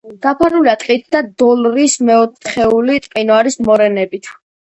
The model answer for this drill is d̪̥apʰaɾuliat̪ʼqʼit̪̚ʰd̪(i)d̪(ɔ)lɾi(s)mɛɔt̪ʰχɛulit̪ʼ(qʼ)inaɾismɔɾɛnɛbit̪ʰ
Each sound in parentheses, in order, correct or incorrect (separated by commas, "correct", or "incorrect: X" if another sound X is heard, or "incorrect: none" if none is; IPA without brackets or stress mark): incorrect: a, correct, correct, correct